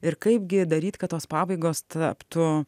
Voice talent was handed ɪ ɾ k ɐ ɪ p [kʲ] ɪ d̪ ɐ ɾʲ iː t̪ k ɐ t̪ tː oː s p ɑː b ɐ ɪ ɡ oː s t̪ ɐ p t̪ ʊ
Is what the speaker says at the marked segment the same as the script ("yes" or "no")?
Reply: no